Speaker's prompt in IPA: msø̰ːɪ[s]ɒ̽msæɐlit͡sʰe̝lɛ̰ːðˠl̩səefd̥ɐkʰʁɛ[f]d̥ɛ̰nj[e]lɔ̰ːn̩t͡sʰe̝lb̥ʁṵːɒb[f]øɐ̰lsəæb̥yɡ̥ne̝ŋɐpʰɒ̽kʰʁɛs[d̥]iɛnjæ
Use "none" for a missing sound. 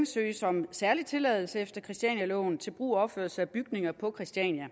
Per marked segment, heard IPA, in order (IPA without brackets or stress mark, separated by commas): s, s, æ, f, d̥